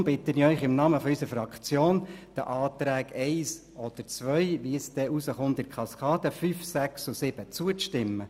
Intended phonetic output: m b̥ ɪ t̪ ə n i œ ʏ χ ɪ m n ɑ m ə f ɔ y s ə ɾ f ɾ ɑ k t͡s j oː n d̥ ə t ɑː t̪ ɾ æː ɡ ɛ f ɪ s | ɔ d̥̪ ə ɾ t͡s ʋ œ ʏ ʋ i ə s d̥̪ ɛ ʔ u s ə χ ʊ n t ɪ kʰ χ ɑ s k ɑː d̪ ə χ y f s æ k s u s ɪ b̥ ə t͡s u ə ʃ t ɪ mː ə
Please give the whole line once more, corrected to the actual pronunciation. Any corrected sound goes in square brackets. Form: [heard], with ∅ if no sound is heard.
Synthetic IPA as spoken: m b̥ ɪ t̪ ə n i œ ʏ χ ɪ m n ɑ m ə f ɔ y s ə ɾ f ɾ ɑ k t͡s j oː n d̥ ə [ʔ] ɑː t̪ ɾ æː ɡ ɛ [∅] ɪ s | ɔ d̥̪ ə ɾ t͡s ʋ œ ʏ ʋ i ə s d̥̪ ɛ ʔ u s ə χ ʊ n t ɪ kʰ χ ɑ s k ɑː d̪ ə [f] y f s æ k s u s ɪ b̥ ə t͡s u ə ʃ t ɪ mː ə